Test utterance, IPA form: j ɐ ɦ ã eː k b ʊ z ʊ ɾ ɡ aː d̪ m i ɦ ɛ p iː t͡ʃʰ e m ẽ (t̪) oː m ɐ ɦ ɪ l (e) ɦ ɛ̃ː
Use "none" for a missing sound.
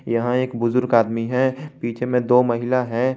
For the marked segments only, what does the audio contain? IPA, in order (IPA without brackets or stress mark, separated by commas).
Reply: d̪, a